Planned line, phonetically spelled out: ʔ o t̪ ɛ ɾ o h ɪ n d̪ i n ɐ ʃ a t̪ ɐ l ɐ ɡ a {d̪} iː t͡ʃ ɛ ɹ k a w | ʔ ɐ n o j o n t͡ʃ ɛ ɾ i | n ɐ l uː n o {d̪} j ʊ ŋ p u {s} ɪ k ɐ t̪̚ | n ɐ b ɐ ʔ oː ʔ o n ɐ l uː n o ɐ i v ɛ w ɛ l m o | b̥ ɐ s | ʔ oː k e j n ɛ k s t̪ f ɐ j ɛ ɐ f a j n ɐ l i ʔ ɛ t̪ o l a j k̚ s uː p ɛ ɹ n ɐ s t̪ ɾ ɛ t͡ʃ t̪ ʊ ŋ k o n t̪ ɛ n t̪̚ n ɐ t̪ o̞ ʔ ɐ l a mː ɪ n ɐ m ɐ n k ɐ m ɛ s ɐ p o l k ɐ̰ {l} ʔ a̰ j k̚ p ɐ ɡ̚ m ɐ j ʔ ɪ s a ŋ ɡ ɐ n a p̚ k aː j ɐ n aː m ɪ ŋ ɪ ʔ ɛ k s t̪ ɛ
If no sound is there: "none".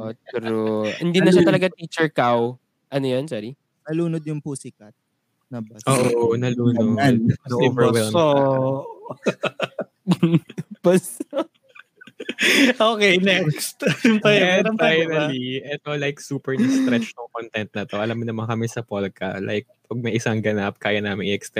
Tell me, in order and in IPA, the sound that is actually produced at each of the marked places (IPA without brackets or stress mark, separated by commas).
t̪, d̪, s, l